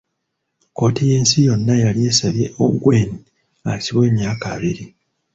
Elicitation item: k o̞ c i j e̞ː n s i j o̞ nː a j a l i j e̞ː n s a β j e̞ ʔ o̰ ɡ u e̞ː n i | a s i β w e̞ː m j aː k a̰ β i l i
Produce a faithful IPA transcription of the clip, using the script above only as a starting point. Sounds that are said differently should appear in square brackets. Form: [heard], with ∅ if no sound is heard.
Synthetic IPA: k o̞ [t] i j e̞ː n s i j o̞ nː a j a l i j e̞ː [∅] s a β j e̞ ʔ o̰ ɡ [w] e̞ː n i | a s i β w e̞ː m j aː k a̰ β i [ɾ] i